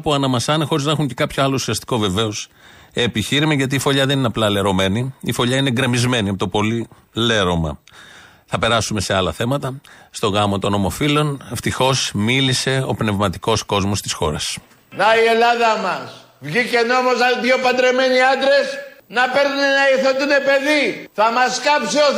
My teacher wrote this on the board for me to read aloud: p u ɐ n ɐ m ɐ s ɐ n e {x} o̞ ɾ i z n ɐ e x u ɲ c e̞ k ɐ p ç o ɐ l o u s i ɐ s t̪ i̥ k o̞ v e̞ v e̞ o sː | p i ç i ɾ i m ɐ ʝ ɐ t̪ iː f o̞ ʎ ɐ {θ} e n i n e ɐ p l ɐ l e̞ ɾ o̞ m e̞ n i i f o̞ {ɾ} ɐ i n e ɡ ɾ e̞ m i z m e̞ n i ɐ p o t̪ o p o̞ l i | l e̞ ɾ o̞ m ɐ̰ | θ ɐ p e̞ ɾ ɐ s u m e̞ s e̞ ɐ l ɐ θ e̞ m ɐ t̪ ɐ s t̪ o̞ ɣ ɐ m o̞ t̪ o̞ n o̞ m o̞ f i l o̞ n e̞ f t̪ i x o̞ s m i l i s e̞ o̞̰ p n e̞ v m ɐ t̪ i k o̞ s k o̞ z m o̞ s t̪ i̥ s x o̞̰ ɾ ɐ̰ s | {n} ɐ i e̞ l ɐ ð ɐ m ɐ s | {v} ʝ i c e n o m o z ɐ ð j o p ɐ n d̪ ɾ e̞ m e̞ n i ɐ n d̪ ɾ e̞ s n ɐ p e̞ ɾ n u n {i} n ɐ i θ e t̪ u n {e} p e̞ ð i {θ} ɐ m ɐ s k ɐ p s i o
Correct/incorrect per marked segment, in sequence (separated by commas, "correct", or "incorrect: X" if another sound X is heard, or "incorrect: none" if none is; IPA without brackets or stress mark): correct, incorrect: ð, incorrect: ʎ, correct, correct, incorrect: e, correct, correct